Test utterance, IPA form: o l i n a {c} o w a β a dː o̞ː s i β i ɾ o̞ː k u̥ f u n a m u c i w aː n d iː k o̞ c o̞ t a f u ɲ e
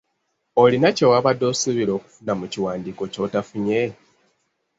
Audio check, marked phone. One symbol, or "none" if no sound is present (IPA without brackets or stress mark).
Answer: c